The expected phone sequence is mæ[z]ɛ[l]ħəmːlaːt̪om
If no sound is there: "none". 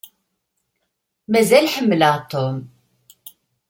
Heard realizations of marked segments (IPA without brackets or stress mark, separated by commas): z, l